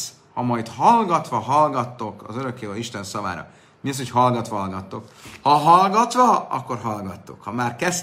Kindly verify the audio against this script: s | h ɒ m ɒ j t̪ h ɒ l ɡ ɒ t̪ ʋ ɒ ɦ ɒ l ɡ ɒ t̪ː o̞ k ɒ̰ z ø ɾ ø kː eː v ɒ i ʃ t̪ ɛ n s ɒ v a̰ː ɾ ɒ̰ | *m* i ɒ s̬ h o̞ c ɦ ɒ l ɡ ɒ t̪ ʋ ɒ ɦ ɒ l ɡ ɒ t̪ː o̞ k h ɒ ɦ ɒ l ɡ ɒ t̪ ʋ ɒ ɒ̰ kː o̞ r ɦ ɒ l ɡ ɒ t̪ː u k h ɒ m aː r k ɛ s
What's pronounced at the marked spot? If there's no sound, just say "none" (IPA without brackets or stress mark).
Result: m